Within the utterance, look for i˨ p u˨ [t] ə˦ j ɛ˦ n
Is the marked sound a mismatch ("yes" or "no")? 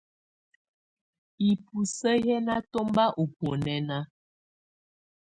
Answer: yes